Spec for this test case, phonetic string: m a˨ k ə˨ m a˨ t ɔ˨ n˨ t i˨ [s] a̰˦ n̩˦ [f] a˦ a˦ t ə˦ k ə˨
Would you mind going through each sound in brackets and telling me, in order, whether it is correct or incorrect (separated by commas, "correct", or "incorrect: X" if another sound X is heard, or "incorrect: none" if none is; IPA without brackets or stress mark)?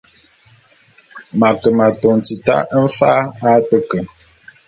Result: incorrect: t, correct